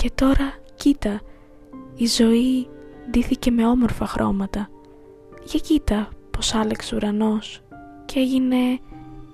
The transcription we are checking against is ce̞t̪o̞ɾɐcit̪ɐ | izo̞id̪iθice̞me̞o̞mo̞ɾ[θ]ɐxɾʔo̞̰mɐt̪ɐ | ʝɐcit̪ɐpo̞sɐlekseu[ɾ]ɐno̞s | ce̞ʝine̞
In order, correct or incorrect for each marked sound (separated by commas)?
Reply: incorrect, correct